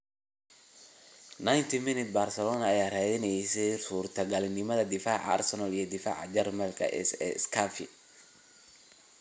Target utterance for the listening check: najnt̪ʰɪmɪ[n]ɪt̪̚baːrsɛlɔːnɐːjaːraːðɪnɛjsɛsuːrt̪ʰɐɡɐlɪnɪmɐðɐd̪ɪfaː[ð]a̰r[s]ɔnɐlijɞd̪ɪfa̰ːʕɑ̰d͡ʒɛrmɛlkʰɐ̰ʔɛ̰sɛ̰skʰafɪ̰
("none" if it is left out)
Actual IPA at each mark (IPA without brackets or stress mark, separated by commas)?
n, ʕ, s